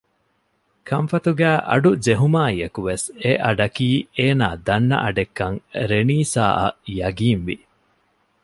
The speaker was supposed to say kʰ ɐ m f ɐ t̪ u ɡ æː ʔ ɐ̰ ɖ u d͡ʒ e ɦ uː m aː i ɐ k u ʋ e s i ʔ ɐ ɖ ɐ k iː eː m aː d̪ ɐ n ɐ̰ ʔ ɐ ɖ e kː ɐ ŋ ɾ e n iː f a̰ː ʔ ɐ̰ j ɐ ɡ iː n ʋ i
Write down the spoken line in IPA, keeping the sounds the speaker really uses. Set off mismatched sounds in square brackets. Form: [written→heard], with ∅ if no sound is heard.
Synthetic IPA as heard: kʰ ɐ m f ɐ t̪ u ɡ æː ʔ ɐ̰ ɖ u d͡ʒ e ɦ [uː→u] m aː i ɐ k u ʋ e s [i→e] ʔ ɐ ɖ ɐ k iː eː [m→n] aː d̪ ɐ [n→nː] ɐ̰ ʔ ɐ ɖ e kː ɐ ŋ ɾ e n iː [f→s] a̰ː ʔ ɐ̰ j ɐ ɡ iː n ʋ i

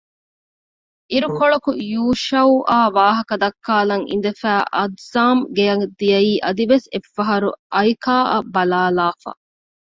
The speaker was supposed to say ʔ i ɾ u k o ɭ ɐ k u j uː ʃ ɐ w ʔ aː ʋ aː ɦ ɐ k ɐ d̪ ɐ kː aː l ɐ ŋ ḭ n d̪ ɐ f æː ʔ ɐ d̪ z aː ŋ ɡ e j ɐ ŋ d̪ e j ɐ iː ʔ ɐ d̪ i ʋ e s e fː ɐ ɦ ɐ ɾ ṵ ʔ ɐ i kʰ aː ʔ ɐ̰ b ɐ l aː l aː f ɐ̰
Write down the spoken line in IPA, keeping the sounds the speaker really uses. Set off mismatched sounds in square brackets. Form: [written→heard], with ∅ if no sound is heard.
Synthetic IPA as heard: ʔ i ɾ u k o ɭ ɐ k u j uː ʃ ɐ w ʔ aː ʋ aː ɦ ɐ k ɐ d̪ ɐ kː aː l ɐ ŋ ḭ n d̪ ɐ f æː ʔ ɐ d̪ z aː [ŋ→m] ɡ e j ɐ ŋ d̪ [e→i] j ɐ iː ʔ ɐ d̪ i ʋ e s e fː ɐ ɦ ɐ ɾ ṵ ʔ ɐ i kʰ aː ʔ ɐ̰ b ɐ l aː l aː f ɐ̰

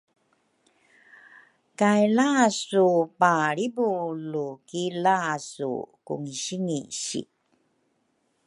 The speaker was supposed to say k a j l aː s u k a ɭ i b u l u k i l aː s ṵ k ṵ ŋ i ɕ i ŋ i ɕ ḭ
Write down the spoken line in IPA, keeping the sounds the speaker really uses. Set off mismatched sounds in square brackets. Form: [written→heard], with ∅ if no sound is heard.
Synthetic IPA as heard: k a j l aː s u [k→p] a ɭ i b u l u k i l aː s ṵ k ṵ ŋ i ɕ i ŋ i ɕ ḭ

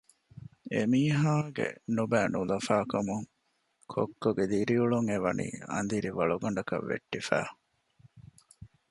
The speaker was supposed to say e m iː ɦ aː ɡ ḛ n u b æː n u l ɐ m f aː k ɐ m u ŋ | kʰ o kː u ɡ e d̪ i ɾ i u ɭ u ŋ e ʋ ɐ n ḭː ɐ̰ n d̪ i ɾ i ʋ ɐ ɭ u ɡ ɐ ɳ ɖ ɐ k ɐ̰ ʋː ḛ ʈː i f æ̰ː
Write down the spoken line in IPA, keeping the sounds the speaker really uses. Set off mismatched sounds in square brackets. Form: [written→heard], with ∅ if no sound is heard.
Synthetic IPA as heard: e m iː ɦ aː ɡ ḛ n u b æː n u l ɐ [m→∅] f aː k ɐ m u ŋ | kʰ o kː [u→o] ɡ e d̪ i ɾ i u ɭ u ŋ e ʋ ɐ n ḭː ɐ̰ n d̪ i ɾ i ʋ ɐ ɭ u ɡ ɐ ɳ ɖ ɐ k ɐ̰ ʋː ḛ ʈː i f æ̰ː

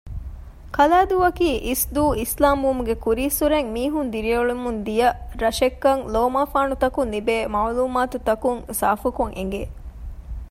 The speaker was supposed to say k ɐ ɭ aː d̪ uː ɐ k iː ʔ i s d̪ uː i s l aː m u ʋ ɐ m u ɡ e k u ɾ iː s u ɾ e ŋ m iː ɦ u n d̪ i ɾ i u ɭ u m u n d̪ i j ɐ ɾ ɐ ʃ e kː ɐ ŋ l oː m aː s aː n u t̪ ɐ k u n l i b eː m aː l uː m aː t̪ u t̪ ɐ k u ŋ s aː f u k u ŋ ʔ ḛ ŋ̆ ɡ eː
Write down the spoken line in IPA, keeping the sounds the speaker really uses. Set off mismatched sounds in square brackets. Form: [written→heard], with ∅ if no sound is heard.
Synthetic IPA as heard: k ɐ [ɭ→l] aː d̪ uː ɐ k iː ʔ i s d̪ uː i s l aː m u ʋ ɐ m u ɡ e k u ɾ iː s u ɾ e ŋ m iː ɦ u n d̪ i ɾ i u ɭ u m u n d̪ i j ɐ ɾ ɐ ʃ e kː ɐ ŋ l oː m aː [s→f] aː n u t̪ ɐ k u n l i b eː m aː l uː m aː t̪ u t̪ ɐ k u ŋ s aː f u k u ŋ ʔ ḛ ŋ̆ ɡ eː

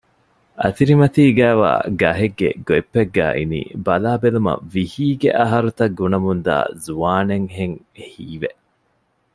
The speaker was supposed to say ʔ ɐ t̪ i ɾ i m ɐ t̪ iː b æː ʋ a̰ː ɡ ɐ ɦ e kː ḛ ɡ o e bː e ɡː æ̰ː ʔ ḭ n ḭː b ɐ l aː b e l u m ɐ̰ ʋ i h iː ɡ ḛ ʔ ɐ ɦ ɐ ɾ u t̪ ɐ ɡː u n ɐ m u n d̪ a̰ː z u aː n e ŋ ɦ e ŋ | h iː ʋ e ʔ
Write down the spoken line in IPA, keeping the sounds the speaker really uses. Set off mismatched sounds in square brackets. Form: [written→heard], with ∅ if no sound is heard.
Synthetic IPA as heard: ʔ ɐ t̪ i ɾ i m ɐ t̪ iː [b→ɡ] æː ʋ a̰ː ɡ ɐ ɦ e [kː→ɡː] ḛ ɡ o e [bː→pː] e ɡː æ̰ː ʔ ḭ n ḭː b ɐ l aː b e l u m ɐ̰ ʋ i h iː ɡ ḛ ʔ ɐ ɦ ɐ ɾ u t̪ ɐ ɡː u n ɐ m u n d̪ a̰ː z u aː n e ŋ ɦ e ŋ | h iː ʋ e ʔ

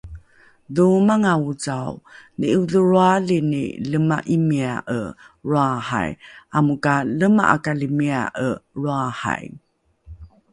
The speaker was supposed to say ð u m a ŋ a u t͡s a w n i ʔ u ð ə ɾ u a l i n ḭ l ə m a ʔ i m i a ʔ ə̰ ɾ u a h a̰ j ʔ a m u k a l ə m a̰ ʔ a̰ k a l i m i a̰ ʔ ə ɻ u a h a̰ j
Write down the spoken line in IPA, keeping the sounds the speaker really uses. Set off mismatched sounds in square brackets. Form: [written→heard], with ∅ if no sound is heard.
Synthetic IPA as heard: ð u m a ŋ a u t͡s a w n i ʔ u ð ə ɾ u a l i n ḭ l ə m a ʔ i m i a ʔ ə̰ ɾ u a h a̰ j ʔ a m u k a l ə m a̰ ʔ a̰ k a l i m i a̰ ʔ ə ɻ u a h a̰ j

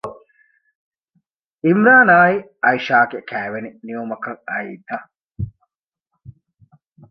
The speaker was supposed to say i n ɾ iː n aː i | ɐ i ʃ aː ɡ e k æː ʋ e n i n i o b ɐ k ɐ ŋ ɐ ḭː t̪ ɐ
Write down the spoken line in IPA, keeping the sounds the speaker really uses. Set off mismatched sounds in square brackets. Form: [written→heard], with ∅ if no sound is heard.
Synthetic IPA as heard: i [n→m] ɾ [iː→aː] n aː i | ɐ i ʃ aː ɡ e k æː ʋ e n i n i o [b→m] ɐ k ɐ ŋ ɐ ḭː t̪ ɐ

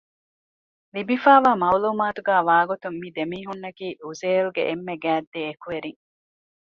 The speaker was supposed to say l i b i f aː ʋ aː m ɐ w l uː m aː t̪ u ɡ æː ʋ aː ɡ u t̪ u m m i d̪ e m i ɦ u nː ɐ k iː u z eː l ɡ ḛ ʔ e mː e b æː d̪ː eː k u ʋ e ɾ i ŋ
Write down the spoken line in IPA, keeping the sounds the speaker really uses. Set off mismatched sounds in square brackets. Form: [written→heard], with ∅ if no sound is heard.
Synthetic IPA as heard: l i b i f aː ʋ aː m ɐ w l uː m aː t̪ u ɡ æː ʋ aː ɡ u t̪ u m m i d̪ e m [i→iː] ɦ u nː ɐ k iː u z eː l ɡ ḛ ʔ e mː e [b→ɡ] æː d̪ː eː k u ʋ e ɾ i ŋ

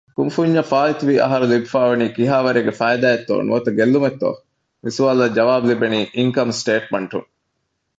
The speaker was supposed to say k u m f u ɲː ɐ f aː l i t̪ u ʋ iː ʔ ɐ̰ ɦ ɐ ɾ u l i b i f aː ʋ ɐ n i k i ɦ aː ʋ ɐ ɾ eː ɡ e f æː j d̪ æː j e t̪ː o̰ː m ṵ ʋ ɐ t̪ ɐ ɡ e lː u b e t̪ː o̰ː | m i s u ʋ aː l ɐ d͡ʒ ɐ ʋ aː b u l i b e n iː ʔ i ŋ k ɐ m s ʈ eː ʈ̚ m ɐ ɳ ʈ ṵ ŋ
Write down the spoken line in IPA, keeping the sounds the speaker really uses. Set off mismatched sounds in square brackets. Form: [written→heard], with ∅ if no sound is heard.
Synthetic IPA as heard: k u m f u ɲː ɐ f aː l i t̪ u ʋ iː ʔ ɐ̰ ɦ ɐ ɾ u l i b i f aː ʋ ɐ n [i→iː] k i ɦ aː ʋ ɐ ɾ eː ɡ e f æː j d̪ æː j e t̪ː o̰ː [m→n] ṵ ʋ ɐ t̪ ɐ ɡ e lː u [b→m] e t̪ː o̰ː | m i s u ʋ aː l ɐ d͡ʒ ɐ ʋ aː b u l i b e n iː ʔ i ŋ k ɐ m s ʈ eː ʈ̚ m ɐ ɳ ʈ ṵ ŋ

